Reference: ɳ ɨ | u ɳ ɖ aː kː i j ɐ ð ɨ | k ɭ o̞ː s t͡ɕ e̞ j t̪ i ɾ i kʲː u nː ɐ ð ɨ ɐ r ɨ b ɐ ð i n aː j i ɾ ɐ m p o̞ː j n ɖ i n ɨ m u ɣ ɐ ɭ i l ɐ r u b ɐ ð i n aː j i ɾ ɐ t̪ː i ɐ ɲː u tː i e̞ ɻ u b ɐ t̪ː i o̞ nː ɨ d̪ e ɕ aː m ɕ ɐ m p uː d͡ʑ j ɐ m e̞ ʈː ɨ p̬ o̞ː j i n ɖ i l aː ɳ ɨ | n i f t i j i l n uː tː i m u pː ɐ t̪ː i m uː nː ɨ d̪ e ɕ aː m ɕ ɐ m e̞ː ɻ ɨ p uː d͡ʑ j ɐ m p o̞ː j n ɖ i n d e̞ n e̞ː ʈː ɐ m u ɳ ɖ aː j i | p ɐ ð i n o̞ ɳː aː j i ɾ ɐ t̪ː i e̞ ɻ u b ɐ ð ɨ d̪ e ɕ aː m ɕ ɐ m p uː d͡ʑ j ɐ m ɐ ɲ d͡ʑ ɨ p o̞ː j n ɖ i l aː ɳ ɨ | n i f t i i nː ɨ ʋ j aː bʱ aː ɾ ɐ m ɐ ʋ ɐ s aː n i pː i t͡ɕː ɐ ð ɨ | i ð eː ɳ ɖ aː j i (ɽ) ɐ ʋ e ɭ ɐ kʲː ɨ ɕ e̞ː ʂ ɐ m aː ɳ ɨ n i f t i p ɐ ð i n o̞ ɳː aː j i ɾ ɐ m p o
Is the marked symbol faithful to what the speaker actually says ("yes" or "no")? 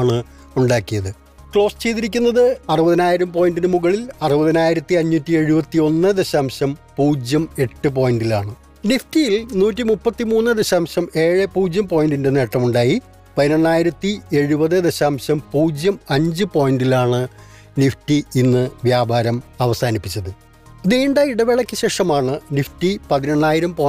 yes